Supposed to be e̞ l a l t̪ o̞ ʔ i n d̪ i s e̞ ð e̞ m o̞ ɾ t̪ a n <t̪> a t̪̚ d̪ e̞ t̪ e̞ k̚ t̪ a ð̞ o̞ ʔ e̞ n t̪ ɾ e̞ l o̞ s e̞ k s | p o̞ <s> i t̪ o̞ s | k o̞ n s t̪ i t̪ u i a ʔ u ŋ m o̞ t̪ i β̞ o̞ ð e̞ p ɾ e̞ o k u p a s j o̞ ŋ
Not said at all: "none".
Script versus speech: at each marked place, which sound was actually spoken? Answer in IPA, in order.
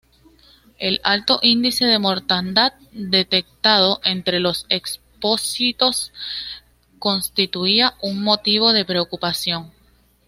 d̪, s

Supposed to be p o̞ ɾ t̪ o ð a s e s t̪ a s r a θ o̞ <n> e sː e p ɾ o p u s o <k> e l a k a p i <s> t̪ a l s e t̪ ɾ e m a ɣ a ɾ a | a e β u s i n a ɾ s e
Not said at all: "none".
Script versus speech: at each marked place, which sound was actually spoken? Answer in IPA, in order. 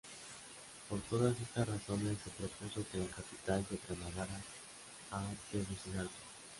n, k, none

